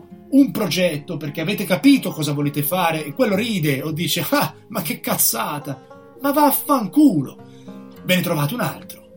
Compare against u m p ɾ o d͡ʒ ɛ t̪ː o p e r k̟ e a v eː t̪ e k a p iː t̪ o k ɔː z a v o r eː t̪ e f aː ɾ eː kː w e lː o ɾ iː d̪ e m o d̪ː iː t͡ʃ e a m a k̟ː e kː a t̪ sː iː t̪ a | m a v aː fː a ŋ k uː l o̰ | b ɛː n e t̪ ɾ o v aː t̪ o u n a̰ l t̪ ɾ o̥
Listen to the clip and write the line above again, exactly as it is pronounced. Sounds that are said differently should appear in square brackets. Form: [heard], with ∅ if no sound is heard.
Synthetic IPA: u m p ɾ o d͡ʒ ɛ t̪ː o p e r k̟ e a v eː t̪ e k a p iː t̪ o k ɔː z a v o [l] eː t̪ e f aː ɾ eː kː w e lː o ɾ iː d̪ e [∅] o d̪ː iː t͡ʃ e a m a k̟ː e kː a t̪ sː [aː] t̪ a | m a v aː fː a ŋ k uː l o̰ | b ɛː n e t̪ ɾ o v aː t̪ o u n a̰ l t̪ ɾ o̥